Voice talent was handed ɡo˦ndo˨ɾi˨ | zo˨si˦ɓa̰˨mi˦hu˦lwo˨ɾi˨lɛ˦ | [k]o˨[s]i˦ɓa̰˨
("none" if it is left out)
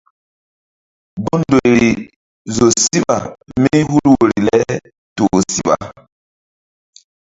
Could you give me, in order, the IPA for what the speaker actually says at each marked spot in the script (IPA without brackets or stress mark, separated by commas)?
t, s